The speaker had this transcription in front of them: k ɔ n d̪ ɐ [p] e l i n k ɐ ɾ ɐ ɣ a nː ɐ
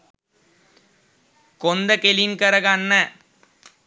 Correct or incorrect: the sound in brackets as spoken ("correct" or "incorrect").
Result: incorrect